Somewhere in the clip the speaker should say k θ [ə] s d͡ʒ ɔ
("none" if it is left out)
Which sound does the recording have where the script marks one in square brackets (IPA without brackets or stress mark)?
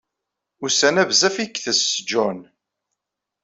ə